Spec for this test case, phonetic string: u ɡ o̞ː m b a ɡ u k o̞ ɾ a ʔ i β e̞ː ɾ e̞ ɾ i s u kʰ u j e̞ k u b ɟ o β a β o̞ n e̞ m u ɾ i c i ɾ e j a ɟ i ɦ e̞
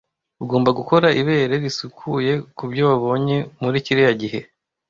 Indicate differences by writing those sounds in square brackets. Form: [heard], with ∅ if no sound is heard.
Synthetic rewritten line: u ɡ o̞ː m b a ɡ u k o̞ ɾ a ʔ i β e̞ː ɾ e̞ ɾ i s u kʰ u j e̞ k u b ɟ o β a β o̞ [ɲ] e̞ m u ɾ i c i ɾ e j a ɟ i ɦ e̞